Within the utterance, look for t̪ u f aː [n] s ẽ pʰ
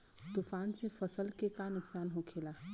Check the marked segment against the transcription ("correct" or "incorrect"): correct